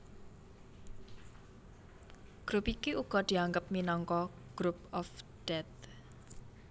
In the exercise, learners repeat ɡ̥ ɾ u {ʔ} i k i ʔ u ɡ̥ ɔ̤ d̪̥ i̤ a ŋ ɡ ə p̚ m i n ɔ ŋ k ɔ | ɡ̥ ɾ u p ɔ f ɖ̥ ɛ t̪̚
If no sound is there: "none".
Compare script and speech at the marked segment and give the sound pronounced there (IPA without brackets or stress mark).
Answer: p